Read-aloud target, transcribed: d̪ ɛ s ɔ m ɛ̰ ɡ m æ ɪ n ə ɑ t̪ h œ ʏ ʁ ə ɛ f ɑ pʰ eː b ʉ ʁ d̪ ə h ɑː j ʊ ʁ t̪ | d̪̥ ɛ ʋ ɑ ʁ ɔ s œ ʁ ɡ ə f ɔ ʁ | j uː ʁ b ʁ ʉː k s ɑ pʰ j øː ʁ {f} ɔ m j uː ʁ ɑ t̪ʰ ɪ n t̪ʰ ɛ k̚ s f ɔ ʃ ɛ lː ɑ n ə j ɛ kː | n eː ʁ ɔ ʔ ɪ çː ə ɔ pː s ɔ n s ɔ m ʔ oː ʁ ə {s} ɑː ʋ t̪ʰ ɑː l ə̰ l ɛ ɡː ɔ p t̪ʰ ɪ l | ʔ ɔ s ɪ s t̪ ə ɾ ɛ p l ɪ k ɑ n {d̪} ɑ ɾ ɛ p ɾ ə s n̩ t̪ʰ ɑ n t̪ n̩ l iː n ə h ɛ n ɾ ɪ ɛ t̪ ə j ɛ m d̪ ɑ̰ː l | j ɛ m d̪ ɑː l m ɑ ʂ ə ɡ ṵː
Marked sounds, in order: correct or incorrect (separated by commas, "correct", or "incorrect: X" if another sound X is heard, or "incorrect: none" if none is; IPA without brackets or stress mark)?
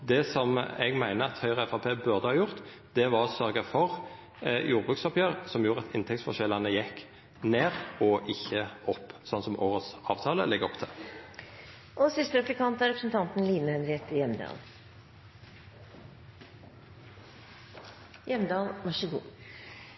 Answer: incorrect: s, correct, incorrect: t̪